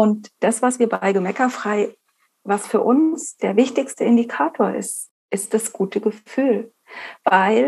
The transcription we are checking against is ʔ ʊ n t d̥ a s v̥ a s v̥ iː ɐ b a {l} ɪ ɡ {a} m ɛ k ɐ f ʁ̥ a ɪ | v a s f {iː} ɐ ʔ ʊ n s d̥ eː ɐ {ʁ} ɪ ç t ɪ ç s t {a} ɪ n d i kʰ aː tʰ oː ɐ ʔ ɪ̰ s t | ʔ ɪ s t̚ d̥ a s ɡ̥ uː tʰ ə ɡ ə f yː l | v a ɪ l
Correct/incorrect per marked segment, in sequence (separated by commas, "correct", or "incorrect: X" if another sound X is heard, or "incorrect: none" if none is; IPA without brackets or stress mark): incorrect: none, incorrect: ə, incorrect: yː, incorrect: v, incorrect: ə